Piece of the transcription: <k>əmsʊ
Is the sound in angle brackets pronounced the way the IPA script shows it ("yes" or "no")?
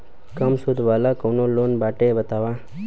yes